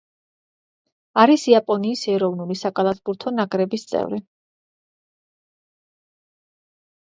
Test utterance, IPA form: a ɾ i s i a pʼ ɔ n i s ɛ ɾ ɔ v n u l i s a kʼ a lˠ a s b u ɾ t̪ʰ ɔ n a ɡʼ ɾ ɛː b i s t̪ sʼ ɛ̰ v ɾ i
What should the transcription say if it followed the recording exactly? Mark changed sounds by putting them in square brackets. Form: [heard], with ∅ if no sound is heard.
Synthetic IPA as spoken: a ɾ i s i a pʼ ɔ n [iː] s ɛ ɾ ɔ v n u l i s a kʼ a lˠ a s b u ɾ t̪ʰ ɔ n a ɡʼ ɾ [ɛ] b i s t̪ sʼ ɛ̰ v ɾ i